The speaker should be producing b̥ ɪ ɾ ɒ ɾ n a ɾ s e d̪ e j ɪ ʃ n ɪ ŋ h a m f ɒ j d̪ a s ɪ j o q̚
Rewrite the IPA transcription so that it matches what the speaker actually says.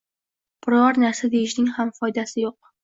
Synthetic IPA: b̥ ɪ ɾ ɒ ɾ n a ɾ s a d̪ e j ɪ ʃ n ɪ ŋ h a m f ɒ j d̪ a s ɪ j o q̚